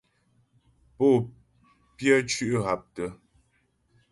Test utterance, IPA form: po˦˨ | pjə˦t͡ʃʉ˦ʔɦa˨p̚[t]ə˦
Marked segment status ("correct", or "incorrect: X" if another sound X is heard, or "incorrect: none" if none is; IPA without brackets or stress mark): correct